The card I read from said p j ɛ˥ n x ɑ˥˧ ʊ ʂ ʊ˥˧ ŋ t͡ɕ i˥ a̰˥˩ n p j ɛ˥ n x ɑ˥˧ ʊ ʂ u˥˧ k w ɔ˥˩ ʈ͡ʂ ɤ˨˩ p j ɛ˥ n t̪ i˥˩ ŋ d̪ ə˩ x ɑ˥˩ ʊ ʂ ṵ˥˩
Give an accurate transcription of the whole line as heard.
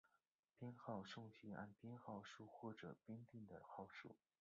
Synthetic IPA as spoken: p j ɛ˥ n x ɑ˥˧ ʊ ʂ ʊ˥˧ ŋ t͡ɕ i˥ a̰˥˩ n p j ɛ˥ n x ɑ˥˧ ʊ ʂ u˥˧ x w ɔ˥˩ ʈ͡ʂ ɤ˨˩ p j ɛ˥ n t̪ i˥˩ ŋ d̪ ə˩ x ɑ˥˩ ʊ ʂ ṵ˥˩